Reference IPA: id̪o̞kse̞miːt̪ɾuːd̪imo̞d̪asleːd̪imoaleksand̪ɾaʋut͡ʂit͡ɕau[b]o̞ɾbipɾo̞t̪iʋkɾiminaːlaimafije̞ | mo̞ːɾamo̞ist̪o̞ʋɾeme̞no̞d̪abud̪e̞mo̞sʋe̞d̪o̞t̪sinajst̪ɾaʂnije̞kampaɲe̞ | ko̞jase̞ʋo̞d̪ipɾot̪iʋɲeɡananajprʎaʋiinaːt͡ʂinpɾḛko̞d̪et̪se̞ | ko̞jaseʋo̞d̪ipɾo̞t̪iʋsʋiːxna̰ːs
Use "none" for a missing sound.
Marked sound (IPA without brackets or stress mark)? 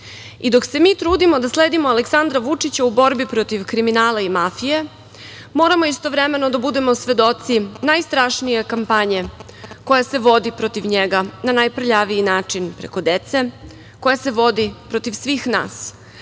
b